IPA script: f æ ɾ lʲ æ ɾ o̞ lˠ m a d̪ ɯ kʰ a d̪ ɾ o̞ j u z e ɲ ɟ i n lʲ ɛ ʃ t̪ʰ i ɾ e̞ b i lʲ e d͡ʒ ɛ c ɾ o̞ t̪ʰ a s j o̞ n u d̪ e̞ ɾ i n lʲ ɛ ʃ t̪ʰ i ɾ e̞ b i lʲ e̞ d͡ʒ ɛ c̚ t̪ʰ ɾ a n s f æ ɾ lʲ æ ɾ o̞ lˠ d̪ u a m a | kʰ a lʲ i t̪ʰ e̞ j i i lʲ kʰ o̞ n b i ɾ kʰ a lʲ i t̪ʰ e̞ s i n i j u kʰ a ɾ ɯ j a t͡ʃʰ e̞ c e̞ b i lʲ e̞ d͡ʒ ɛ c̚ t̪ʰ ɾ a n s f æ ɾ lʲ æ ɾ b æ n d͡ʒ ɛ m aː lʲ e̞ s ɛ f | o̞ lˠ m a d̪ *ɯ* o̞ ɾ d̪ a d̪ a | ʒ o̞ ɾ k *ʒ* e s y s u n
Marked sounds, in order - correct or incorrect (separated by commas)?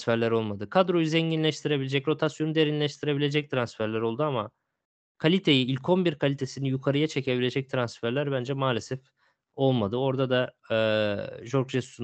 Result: correct, correct